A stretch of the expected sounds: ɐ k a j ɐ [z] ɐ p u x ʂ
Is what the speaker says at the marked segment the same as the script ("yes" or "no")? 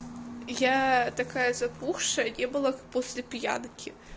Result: yes